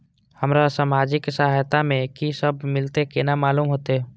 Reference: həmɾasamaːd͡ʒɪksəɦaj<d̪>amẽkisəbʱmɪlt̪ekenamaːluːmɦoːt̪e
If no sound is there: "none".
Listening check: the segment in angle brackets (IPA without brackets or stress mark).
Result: t̪